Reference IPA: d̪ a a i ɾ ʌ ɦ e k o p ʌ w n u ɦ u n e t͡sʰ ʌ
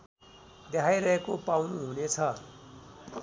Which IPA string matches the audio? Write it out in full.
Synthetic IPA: d̪ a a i ɾ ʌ ɦ e k o p a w n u ɦ u n e t͡sʰ ʌ